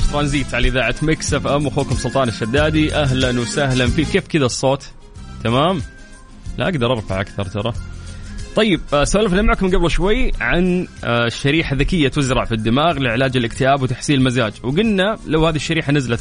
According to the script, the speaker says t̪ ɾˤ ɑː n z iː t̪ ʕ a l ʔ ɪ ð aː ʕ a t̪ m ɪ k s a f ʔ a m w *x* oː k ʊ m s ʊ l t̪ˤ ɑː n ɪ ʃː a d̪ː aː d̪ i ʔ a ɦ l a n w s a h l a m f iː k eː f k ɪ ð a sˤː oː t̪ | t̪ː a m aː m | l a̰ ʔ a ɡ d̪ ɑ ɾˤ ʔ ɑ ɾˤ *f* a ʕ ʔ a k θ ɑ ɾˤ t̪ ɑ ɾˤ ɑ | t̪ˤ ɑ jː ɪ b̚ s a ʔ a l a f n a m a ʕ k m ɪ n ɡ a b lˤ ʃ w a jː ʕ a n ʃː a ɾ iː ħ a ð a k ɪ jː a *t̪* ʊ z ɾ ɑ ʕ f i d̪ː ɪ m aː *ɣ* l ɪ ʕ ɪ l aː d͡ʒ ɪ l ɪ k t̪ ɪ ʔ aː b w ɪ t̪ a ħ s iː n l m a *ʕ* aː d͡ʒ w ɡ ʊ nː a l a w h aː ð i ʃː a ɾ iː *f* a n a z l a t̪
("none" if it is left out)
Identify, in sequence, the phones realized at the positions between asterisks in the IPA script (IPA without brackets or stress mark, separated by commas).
x, f, t̪, ɣ, z, ħ